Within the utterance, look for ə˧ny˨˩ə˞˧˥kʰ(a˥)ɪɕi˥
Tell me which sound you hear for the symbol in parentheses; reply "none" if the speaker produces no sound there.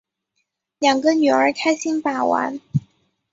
a˥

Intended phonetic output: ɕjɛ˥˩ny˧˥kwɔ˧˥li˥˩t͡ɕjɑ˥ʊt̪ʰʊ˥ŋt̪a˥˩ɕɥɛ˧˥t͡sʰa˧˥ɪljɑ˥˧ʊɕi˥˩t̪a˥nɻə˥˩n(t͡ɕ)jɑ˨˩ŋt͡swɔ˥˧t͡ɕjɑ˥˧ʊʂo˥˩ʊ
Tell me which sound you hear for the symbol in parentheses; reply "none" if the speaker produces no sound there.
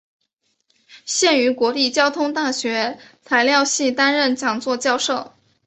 t͡ɕ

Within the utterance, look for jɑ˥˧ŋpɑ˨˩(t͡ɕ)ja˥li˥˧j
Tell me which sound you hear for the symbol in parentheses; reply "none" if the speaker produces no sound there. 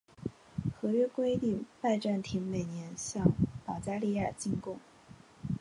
t͡ɕ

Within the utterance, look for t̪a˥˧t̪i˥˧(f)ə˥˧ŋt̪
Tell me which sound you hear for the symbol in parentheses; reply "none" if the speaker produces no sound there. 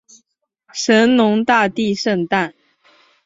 ʂ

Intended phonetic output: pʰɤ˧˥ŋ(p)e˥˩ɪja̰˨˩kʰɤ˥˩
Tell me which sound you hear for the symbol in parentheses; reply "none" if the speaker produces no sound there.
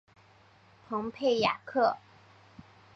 pʰ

